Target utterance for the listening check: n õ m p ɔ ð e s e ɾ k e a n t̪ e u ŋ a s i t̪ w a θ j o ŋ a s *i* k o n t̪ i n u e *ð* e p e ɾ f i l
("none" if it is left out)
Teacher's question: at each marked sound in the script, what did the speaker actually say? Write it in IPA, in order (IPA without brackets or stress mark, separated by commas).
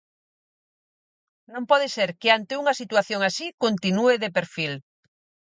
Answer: i, ð